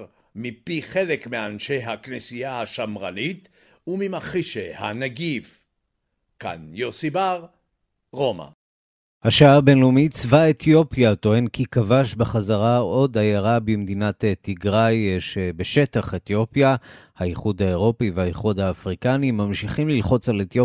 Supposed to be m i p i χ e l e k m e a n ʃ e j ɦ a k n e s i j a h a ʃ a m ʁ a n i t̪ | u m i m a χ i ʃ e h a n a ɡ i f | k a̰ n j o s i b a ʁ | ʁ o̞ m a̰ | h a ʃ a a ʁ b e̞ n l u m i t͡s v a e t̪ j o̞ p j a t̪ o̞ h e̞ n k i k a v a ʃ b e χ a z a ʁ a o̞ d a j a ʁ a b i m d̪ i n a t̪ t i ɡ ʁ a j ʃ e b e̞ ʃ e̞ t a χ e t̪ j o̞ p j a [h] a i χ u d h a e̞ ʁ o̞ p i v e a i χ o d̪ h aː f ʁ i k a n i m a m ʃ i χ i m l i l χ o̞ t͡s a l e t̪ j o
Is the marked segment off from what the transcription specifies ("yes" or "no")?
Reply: no